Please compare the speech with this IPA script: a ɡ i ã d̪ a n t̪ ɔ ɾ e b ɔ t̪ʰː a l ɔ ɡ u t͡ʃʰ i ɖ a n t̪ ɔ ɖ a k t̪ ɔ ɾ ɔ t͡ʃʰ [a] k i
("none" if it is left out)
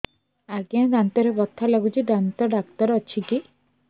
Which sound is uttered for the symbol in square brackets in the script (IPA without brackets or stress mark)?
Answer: i